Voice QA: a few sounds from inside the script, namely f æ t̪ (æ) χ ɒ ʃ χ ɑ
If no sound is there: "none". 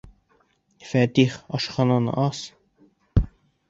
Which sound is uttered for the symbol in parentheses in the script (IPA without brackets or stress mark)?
i